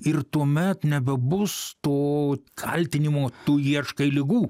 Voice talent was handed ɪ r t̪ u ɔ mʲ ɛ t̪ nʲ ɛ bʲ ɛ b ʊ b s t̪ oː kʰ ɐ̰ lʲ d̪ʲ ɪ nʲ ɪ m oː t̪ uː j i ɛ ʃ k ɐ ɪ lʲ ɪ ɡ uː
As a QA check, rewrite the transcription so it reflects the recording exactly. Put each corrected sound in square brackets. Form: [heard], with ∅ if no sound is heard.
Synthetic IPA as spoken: ɪ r t̪ u ɔ mʲ ɛ t̪ nʲ ɛ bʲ ɛ b ʊ [∅] s t̪ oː kʰ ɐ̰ lʲ [t̪ʲ] ɪ nʲ ɪ m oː t̪ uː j i ɛ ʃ k ɐ ɪ lʲ ɪ ɡ uː